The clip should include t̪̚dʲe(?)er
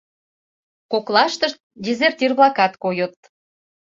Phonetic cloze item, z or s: z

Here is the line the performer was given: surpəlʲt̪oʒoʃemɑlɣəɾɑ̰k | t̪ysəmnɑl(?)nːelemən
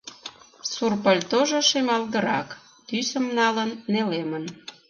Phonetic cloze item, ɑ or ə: ə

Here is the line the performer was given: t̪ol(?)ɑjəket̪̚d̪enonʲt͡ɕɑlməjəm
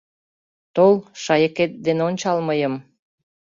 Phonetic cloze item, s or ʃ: ʃ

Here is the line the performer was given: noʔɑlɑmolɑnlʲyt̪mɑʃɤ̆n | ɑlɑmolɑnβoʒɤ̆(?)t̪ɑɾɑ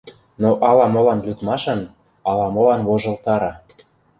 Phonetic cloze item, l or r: l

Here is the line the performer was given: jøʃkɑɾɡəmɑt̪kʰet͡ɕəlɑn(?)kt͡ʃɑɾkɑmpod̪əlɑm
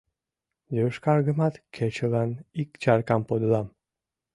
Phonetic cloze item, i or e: i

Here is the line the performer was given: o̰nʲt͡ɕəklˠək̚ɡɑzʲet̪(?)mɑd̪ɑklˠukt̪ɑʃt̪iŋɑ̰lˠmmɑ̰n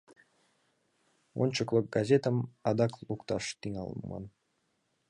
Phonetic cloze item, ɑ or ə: ə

